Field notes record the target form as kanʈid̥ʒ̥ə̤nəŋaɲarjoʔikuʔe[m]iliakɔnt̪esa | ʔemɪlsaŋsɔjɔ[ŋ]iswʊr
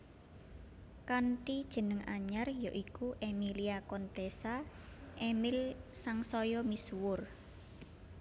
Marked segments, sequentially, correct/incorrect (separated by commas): correct, incorrect